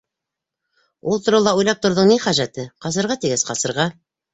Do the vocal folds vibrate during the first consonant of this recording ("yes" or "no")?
yes